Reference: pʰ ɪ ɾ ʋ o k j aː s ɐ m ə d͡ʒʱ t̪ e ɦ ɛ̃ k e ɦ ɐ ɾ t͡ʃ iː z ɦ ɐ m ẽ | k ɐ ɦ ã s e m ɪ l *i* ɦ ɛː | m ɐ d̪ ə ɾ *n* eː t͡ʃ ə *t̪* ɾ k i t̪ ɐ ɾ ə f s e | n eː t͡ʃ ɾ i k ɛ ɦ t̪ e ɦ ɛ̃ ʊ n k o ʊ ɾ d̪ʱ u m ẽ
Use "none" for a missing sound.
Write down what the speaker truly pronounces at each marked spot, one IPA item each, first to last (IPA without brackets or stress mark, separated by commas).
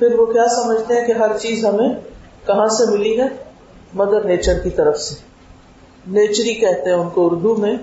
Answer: i, n, none